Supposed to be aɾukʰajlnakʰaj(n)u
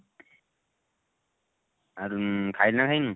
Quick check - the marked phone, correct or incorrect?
correct